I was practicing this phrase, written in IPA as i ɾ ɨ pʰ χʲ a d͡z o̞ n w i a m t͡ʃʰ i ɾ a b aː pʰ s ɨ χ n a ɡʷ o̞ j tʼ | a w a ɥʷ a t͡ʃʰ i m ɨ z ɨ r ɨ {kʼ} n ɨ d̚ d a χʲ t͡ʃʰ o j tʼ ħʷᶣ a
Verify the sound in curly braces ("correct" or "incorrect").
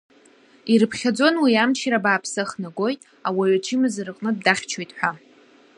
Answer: incorrect